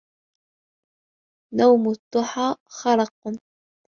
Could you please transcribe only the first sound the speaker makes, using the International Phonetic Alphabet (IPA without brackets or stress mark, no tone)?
n